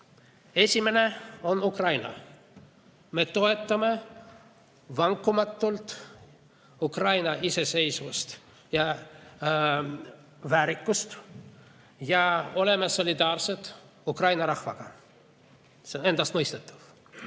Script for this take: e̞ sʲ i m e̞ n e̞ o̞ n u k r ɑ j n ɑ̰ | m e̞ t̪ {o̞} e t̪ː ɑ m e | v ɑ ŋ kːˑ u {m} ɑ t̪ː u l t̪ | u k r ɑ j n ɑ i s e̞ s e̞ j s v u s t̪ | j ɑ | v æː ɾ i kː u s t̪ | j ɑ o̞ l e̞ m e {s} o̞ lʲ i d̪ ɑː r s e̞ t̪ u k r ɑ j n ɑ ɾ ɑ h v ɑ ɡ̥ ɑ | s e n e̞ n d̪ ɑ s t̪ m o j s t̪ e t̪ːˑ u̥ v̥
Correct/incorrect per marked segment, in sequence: correct, correct, correct

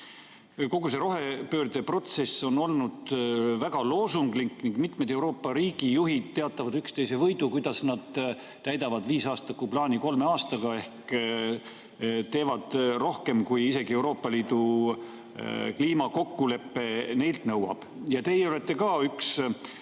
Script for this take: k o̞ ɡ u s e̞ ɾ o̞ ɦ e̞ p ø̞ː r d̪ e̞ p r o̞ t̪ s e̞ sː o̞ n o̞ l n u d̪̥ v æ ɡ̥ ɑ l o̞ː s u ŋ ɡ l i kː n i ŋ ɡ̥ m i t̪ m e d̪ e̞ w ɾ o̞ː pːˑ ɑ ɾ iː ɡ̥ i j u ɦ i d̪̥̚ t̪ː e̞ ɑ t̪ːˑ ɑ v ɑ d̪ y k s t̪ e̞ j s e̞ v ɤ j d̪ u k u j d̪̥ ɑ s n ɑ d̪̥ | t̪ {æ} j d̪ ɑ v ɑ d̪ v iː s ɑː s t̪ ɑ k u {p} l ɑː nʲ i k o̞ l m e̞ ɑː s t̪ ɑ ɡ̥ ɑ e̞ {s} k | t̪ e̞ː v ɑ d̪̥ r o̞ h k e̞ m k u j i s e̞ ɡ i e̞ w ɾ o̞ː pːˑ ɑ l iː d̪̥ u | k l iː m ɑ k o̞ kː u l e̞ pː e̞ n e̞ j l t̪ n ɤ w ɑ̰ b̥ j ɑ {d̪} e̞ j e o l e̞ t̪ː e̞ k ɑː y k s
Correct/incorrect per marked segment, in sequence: correct, correct, incorrect: h, incorrect: t̪

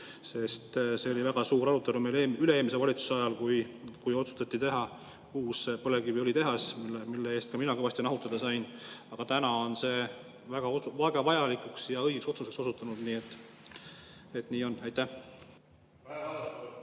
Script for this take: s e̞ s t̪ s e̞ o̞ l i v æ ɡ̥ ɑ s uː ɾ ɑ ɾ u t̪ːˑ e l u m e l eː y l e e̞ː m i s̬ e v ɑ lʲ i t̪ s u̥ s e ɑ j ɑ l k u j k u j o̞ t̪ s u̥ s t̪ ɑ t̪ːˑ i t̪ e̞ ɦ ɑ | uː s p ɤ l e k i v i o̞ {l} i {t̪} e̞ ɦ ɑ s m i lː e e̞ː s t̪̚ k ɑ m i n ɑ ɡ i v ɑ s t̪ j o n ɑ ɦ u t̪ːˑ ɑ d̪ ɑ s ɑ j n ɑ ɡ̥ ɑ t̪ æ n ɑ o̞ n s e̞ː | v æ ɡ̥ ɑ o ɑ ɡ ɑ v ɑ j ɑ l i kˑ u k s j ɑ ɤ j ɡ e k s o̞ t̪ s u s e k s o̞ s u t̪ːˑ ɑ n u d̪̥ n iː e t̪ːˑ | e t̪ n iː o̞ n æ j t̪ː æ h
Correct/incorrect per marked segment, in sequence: correct, correct

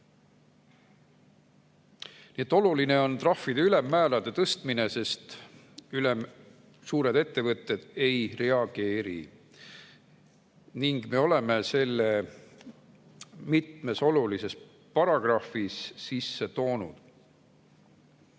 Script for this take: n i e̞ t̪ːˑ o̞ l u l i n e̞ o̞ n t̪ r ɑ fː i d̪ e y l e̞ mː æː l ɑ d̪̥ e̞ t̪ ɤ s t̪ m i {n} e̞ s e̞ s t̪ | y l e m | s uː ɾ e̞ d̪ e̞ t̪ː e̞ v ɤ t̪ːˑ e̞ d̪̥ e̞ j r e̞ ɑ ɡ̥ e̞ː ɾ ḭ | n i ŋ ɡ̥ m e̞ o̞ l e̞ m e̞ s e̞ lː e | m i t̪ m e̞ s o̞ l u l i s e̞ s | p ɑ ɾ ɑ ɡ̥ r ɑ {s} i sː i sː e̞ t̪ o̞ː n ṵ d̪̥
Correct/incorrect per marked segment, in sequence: correct, incorrect: f

